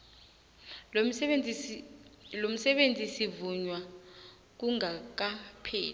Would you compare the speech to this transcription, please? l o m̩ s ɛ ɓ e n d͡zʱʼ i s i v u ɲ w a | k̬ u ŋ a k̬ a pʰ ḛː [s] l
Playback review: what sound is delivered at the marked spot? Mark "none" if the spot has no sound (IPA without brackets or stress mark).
none